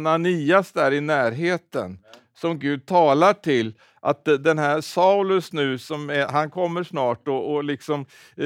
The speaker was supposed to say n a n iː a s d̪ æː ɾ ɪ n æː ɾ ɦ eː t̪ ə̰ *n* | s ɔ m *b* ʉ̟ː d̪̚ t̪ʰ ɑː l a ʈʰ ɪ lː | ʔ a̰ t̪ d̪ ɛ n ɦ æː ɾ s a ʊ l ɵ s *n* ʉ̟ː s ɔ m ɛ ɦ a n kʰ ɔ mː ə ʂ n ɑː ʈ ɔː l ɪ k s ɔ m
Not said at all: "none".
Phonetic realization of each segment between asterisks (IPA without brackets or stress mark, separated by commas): n, ɡ, n